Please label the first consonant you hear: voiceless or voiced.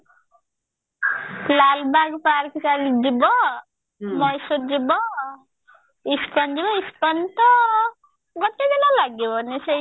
voiced